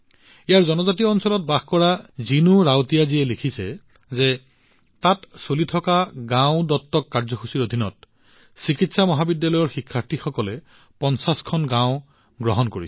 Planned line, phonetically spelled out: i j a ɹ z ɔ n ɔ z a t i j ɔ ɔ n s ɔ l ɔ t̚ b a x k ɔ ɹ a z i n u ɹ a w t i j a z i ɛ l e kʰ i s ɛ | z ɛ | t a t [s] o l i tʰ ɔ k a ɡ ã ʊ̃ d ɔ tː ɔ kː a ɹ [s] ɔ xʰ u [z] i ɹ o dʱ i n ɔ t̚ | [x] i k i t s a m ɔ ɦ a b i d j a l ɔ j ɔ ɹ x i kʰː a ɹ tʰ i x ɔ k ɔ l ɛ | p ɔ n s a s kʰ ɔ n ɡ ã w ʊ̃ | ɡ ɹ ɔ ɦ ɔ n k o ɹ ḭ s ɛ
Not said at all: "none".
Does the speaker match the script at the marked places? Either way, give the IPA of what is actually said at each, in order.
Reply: s, z, s, s

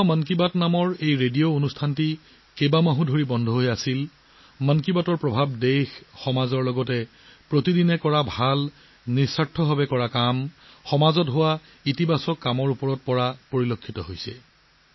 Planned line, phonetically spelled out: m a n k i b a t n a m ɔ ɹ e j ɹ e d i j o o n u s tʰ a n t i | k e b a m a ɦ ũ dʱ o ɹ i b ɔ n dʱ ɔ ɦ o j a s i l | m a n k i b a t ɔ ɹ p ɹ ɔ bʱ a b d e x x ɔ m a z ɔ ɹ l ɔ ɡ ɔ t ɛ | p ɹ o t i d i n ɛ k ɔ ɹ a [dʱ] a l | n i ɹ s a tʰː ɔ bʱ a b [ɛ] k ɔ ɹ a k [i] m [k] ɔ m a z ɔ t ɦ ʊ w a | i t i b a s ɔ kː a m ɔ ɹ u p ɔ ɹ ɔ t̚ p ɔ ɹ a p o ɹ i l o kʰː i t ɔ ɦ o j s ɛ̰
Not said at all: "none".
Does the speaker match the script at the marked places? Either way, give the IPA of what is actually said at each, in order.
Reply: bʱ, ɛ, a, x

